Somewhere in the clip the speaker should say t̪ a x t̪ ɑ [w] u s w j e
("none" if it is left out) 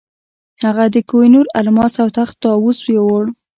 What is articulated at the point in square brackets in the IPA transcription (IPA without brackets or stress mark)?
w